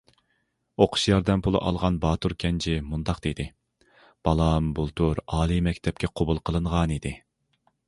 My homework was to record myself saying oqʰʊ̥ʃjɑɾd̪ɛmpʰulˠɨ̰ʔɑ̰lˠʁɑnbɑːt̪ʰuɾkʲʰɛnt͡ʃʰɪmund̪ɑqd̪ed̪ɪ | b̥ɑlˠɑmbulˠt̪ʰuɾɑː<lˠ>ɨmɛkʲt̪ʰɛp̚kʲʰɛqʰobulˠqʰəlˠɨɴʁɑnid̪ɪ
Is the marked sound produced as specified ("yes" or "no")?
yes